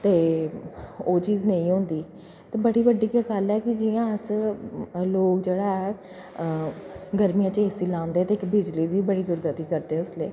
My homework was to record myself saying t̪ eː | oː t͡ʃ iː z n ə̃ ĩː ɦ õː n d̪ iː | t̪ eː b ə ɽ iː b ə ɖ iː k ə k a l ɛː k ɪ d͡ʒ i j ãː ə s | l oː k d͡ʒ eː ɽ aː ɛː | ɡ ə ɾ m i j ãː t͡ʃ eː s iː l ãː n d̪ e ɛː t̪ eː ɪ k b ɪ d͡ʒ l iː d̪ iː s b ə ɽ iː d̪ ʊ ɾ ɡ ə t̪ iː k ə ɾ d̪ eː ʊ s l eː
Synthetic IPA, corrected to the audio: t̪ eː | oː t͡ʃ iː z n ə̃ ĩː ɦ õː n d̪ iː | t̪ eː b ə ɽ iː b ə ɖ iː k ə k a l ɛː k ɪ d͡ʒ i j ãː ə s | l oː k d͡ʒ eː ɽ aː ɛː | ɡ ə ɾ m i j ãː t͡ʃ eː s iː l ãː n d̪ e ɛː t̪ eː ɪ k b ɪ d͡ʒ l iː d̪ iː b ə ɽ iː d̪ ʊ ɾ ɡ ə t̪ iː k ə ɾ d̪ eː ʊ s l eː